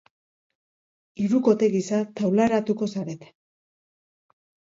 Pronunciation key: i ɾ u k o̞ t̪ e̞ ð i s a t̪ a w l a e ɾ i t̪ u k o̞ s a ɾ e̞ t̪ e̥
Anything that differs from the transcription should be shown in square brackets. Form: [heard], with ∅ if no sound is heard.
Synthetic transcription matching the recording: i ɾ u k o̞ t̪ e̞ [ɣ] i s a t̪ a w l a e ɾ [a] t̪ u k o̞ s a ɾ e̞ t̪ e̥